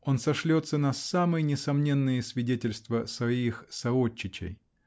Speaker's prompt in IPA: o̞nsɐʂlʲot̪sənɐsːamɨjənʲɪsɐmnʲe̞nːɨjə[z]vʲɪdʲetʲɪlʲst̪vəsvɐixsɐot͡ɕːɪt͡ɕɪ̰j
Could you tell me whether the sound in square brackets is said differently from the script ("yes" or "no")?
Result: yes